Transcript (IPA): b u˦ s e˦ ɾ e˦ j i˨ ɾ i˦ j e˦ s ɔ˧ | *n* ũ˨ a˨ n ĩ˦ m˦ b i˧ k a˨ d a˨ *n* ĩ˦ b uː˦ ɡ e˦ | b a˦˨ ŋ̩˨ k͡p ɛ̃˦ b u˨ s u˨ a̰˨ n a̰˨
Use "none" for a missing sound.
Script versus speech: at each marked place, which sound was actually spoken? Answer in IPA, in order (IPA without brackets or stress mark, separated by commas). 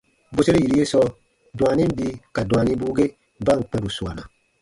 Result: d, n